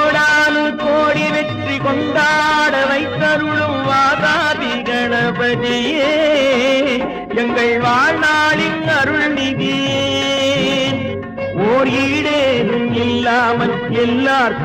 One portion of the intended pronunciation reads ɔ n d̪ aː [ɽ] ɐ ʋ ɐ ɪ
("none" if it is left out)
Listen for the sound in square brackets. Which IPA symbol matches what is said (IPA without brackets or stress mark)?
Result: ɽ